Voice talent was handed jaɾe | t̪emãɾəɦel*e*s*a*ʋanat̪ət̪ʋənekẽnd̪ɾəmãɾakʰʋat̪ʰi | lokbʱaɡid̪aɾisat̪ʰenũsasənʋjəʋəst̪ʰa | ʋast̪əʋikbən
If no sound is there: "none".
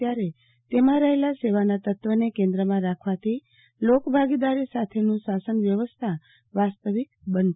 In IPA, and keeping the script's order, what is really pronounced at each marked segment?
a, e

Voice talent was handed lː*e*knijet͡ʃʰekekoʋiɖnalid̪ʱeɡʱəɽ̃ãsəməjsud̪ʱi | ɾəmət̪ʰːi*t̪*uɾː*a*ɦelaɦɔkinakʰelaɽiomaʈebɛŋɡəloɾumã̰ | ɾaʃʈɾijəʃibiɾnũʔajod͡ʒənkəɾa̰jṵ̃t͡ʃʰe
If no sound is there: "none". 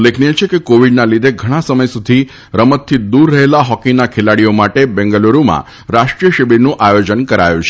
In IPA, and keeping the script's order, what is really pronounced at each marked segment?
e, d̪, ə

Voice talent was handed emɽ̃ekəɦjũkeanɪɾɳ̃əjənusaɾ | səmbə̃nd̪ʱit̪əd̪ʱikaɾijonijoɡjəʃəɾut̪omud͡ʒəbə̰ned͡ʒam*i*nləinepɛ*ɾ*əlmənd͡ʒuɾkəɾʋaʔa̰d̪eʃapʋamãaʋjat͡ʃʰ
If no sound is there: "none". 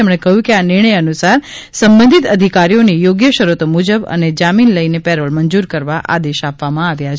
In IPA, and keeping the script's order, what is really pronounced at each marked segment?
i, ɾ

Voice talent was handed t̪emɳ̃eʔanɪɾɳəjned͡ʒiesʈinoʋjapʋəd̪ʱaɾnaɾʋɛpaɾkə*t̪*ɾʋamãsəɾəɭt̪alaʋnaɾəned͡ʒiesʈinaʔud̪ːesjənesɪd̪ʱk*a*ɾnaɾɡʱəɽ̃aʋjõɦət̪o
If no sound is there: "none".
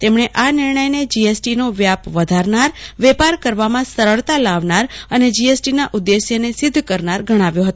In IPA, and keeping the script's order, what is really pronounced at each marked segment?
none, ə

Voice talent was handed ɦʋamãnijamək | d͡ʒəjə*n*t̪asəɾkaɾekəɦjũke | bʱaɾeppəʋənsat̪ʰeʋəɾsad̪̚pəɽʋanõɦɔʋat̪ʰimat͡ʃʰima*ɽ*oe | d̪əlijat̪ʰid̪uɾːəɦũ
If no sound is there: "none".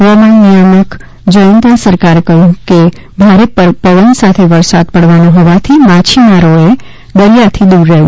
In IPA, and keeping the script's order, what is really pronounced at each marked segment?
n, ɾ

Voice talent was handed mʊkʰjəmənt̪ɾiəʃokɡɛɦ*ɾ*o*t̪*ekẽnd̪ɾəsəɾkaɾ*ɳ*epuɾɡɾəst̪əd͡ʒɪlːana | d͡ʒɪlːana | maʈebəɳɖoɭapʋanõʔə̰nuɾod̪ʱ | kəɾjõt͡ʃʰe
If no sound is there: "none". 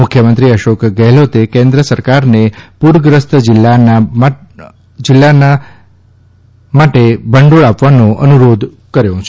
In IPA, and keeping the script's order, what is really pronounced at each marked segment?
l, t̪, n

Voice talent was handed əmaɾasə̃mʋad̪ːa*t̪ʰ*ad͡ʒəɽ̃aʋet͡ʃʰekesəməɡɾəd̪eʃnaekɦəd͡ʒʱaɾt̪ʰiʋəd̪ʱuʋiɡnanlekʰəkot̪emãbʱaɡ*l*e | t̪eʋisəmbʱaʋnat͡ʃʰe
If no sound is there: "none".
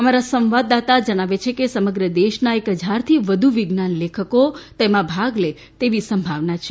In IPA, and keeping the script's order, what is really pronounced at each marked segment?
t̪, l

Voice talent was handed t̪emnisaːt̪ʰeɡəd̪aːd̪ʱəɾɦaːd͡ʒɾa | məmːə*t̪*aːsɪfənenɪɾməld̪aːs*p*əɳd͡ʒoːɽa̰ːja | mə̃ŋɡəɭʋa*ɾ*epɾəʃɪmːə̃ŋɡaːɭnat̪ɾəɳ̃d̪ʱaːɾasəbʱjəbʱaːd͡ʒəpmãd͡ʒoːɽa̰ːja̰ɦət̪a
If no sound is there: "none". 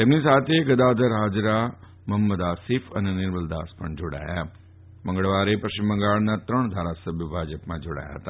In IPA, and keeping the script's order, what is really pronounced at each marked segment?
d̪, p, ɾ

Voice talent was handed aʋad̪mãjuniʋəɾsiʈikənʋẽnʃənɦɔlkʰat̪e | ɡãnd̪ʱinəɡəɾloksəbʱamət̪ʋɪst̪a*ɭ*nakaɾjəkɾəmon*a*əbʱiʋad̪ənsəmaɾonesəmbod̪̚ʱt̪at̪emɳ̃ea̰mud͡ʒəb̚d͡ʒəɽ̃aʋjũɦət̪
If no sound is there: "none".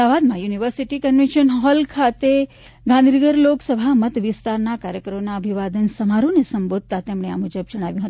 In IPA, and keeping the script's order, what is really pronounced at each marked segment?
ɾ, a

